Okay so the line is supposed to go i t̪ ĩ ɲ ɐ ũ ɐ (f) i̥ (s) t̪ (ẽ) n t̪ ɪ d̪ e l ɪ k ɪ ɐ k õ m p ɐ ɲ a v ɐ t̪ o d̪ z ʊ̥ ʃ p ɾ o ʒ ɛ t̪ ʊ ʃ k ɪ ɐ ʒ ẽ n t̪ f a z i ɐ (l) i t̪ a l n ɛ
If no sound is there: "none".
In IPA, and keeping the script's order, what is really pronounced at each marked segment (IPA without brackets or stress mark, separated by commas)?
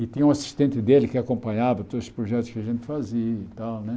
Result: s, ʃ, ẽ, none